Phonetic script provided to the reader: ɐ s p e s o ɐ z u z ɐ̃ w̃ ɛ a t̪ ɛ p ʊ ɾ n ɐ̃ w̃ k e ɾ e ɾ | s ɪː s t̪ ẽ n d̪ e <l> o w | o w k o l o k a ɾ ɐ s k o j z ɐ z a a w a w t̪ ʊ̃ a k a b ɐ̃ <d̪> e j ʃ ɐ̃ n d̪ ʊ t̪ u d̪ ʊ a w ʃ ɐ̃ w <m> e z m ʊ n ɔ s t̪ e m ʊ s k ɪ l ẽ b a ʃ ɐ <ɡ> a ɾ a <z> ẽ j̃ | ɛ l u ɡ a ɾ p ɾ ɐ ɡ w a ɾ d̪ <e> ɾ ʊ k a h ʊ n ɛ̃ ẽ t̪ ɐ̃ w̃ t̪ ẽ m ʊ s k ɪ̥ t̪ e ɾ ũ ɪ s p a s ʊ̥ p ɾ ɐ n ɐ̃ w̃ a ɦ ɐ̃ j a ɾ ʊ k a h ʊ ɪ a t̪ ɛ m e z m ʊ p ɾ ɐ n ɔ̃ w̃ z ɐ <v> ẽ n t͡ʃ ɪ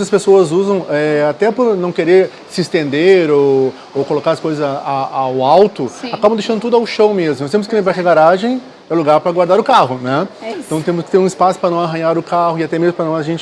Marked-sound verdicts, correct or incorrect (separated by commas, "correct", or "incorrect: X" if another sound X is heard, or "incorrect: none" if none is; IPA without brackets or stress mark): incorrect: ɾ, correct, correct, correct, incorrect: ʒ, incorrect: a, incorrect: ʒ